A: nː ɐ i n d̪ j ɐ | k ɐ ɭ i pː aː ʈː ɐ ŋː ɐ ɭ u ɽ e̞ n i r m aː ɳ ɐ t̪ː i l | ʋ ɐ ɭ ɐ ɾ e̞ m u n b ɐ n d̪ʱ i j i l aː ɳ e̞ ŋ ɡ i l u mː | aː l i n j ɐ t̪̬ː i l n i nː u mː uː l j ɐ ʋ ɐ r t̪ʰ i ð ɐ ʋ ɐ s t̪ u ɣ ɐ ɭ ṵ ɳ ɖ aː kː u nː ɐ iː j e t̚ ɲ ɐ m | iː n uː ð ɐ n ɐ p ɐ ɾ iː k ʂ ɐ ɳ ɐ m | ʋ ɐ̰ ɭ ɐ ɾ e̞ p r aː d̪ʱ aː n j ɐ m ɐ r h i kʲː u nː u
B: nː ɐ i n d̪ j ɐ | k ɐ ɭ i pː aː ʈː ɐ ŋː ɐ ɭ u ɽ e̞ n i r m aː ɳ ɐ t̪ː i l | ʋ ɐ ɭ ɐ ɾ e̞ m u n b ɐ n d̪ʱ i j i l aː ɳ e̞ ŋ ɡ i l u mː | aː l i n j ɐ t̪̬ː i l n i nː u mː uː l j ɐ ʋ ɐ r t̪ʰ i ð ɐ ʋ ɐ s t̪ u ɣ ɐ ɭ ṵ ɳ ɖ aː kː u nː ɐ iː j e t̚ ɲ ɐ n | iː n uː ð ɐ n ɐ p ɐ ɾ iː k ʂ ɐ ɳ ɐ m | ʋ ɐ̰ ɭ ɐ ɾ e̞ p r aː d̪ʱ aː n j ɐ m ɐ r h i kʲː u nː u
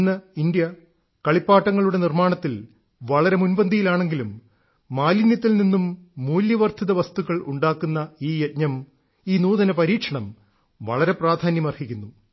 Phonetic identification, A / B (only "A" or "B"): A